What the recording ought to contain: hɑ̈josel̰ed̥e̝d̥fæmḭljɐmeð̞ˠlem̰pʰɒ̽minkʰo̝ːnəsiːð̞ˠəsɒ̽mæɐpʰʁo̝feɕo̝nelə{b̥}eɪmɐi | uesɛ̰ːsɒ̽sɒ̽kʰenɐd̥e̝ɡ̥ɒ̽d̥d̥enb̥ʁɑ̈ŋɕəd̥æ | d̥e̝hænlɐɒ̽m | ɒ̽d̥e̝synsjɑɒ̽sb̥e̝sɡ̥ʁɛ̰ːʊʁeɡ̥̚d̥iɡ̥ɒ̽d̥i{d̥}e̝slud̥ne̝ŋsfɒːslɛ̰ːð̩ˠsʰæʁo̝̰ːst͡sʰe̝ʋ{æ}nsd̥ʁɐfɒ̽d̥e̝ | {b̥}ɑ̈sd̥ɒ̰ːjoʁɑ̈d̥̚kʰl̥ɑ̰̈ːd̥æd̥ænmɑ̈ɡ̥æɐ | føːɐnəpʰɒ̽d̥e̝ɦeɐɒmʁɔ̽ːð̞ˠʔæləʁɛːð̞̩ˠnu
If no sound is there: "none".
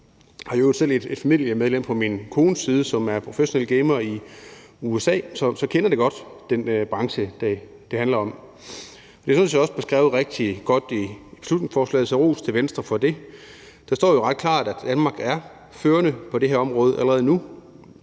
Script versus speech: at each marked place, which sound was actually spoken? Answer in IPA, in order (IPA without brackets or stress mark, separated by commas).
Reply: ɡ̥, b̥, e, d̥